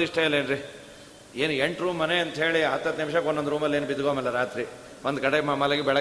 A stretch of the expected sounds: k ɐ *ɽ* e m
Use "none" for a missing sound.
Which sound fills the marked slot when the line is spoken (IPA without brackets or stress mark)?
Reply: ɽ